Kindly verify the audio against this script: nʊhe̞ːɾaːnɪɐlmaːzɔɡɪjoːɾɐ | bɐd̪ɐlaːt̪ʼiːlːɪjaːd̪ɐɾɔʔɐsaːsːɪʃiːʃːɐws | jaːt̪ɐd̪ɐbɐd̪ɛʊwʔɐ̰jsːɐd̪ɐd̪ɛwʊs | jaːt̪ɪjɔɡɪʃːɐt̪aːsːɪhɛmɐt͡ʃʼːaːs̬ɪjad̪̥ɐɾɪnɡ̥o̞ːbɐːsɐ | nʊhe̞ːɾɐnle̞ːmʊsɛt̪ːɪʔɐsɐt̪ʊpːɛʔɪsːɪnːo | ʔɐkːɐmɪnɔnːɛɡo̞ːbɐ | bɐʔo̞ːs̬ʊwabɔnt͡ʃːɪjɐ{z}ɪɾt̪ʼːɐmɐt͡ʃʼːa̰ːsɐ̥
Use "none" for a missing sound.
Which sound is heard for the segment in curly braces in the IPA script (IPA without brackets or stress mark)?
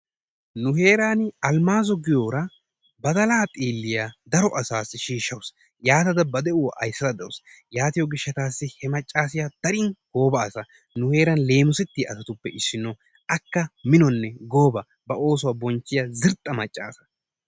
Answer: z